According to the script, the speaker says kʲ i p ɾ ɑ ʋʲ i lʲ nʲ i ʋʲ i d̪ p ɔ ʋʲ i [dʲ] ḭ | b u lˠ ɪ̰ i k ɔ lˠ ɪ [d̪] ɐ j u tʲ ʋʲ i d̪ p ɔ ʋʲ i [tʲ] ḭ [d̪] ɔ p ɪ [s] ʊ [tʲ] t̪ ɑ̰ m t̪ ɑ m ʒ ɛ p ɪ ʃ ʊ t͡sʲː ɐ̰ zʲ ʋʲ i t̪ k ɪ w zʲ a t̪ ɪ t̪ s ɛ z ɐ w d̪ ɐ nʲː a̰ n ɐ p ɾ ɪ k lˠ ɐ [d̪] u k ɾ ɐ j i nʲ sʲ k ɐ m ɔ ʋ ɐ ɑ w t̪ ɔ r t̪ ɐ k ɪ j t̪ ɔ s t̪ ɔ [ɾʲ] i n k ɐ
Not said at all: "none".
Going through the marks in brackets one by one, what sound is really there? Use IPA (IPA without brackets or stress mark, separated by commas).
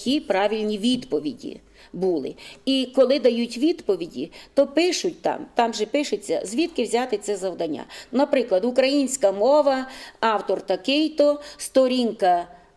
dʲ, d̪, dʲ, t̪, ʃ, tʲ, d̪, ɾʲ